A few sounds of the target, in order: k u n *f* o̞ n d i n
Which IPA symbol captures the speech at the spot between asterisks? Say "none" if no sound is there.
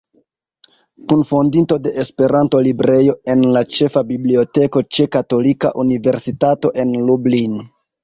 f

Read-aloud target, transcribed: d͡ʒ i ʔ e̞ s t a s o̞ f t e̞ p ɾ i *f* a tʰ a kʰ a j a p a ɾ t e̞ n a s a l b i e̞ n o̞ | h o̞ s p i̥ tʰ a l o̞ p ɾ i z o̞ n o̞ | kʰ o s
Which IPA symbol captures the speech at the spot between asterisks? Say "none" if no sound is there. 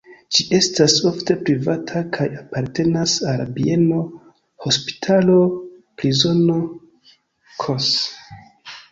v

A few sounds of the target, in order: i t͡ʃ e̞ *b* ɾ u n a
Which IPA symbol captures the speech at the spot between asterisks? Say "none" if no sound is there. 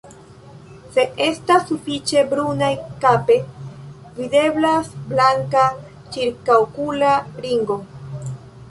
b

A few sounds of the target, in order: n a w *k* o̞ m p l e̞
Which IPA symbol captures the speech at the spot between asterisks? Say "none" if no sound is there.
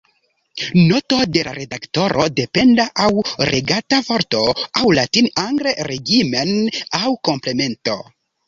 k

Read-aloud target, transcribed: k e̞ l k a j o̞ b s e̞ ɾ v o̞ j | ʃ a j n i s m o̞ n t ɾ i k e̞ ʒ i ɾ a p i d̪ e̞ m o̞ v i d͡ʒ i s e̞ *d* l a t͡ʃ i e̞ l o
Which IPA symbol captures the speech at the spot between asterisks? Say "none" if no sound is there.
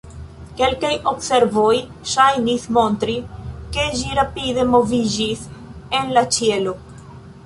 n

